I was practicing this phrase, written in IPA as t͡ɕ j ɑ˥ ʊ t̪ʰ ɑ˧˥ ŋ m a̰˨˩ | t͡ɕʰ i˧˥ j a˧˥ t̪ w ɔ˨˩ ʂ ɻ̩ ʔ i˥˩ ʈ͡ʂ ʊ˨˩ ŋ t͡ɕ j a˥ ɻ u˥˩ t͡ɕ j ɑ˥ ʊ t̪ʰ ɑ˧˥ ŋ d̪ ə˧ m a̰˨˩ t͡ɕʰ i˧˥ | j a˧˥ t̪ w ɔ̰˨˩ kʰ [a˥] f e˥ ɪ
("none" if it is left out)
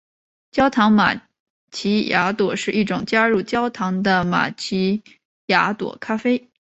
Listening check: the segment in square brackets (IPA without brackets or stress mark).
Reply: a˥